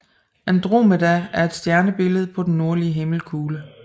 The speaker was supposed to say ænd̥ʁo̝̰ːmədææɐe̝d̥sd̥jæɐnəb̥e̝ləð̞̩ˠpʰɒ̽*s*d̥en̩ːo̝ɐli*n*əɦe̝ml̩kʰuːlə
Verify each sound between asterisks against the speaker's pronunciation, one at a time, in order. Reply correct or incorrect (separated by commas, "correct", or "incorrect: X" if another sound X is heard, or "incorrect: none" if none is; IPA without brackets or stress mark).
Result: incorrect: none, incorrect: none